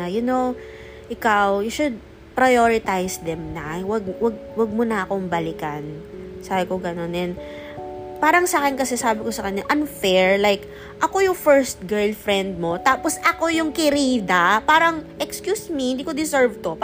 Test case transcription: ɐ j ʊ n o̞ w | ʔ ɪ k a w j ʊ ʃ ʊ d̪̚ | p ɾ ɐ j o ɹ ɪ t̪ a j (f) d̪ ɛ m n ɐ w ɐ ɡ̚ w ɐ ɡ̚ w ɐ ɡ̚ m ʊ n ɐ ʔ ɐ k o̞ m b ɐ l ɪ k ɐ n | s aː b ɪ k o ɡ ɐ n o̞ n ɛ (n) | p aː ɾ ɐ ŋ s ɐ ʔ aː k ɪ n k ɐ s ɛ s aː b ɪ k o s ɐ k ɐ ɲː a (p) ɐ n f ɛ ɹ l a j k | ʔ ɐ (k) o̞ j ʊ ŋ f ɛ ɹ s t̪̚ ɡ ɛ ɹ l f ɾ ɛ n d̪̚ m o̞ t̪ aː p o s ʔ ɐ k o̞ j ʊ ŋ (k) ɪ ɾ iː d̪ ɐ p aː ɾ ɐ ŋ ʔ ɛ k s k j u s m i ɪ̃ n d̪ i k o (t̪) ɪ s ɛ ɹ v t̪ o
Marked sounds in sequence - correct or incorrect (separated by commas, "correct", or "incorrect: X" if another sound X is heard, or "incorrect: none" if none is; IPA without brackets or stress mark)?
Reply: incorrect: s, correct, incorrect: ʔ, correct, correct, incorrect: d̪